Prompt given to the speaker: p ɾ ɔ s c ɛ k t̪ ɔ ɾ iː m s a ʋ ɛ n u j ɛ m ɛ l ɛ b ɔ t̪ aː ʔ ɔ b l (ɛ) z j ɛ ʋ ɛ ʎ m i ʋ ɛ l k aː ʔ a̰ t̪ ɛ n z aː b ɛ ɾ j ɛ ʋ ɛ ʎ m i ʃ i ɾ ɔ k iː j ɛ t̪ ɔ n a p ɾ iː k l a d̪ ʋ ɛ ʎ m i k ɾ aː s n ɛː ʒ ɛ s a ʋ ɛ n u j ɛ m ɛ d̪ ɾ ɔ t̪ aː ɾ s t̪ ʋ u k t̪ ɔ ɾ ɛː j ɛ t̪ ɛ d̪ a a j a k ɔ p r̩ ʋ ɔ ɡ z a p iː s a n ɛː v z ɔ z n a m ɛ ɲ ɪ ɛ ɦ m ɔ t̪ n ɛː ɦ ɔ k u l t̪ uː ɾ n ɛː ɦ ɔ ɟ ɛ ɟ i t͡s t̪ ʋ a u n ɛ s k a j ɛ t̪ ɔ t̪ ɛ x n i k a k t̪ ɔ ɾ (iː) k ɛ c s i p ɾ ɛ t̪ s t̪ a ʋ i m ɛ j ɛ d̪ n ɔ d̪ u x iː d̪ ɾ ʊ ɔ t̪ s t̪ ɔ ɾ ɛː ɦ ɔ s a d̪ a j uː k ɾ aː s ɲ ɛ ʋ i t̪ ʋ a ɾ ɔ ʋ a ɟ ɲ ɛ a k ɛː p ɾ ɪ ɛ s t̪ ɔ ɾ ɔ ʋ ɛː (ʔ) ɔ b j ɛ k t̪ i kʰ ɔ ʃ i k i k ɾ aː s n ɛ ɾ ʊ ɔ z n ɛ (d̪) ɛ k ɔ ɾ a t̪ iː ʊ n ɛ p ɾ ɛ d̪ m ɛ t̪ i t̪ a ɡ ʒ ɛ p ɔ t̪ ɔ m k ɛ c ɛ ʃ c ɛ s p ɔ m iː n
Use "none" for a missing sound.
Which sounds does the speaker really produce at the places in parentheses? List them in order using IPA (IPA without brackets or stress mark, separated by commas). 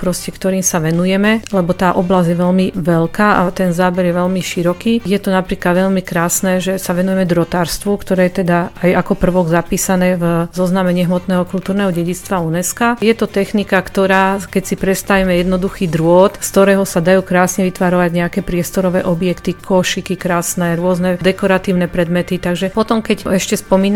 a, aː, ʔ, d̪